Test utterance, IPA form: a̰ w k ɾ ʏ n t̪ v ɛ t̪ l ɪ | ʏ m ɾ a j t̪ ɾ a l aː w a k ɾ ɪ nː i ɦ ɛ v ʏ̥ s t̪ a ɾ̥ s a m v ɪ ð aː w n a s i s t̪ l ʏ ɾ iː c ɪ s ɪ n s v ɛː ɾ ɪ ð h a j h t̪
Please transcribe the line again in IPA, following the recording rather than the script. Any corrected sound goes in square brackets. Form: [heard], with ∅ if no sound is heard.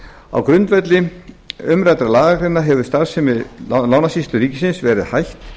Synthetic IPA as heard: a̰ w k ɾ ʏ n t̪ v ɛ t̪ l ɪ | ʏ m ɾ a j t̪ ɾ a l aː [ɣ] a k ɾ ɪ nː [a] ɦ ɛ v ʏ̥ s t̪ a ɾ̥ s [ɛ] m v ɪ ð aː w n a s i s t̪ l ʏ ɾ iː c ɪ s ɪ n s v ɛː ɾ ɪ ð h a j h t̪